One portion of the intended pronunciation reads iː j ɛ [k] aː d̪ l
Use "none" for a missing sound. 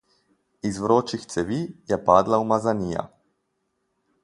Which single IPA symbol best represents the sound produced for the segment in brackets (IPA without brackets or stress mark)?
p